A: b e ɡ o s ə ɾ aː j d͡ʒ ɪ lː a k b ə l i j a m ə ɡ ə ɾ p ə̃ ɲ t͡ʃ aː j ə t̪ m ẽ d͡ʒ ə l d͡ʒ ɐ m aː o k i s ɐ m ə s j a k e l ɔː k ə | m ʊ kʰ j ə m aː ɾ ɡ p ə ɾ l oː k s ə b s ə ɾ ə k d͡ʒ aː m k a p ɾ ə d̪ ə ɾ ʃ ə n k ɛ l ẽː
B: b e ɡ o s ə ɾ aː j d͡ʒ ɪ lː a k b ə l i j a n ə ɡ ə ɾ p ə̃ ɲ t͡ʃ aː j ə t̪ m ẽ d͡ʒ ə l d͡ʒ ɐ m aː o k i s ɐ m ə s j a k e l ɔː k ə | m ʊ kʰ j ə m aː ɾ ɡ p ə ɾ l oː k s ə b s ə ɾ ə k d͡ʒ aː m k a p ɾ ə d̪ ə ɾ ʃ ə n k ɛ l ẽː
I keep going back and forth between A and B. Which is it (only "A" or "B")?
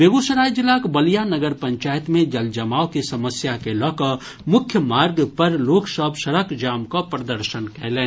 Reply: B